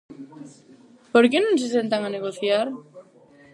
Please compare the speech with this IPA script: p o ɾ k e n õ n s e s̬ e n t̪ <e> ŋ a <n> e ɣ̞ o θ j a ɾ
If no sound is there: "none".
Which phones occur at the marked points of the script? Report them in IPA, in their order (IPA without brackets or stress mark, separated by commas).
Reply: a, n